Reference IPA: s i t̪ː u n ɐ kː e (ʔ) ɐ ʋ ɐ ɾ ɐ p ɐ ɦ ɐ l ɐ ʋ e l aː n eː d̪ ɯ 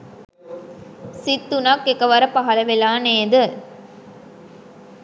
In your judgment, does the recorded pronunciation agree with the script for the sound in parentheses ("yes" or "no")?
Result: no